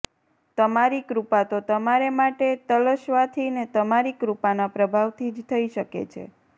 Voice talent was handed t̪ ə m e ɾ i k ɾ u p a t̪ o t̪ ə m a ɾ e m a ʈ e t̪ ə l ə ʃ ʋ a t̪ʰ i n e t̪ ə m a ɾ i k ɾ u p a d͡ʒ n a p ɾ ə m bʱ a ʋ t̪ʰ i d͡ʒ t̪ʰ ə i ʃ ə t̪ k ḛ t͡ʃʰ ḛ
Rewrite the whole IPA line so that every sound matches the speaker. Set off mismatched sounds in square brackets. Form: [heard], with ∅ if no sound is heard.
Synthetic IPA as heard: t̪ ə m [a] ɾ i k ɾ u p a t̪ o t̪ ə m a ɾ e m a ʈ e t̪ ə l ə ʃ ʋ a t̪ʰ i n e t̪ ə m a ɾ i k ɾ u p a [∅] n a p ɾ ə [∅] bʱ a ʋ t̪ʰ i d͡ʒ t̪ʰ ə i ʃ ə [∅] k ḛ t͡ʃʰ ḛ